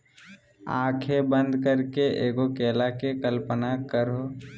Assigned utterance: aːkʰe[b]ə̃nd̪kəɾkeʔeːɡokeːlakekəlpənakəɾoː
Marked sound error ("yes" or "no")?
no